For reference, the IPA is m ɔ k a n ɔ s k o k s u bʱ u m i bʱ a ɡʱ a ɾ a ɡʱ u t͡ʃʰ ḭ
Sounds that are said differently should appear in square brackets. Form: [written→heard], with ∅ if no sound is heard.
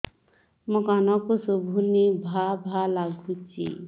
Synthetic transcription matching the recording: m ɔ k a n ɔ [s→∅] k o [k→∅] s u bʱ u [m→n] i bʱ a [ɡʱ→bʱ] a [ɾ→l] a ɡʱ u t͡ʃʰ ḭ